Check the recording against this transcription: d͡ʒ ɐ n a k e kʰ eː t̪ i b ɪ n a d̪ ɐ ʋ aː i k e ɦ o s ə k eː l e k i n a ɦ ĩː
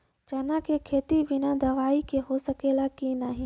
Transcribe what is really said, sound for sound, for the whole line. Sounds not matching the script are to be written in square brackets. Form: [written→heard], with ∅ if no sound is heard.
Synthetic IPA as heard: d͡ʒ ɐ n a k e kʰ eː t̪ i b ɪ n a d̪ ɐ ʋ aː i k e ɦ o s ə k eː l [e→a] k i n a ɦ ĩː